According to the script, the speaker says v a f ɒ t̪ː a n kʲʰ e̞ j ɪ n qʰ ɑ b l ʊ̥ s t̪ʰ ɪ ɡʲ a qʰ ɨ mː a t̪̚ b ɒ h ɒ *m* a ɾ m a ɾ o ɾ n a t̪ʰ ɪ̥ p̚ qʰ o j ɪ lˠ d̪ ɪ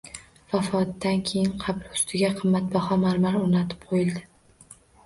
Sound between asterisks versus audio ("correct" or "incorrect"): correct